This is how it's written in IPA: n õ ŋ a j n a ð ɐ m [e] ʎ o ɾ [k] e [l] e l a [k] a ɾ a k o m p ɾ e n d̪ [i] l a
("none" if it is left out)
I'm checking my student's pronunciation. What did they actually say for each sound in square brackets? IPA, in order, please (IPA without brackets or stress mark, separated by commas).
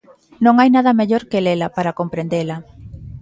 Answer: e, k, l, p, e